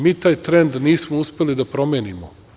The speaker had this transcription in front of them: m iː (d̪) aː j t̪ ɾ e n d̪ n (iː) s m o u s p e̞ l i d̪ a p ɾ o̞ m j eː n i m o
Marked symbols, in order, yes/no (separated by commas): no, yes